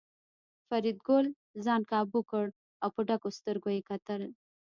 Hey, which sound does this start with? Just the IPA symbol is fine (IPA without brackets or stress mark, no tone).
f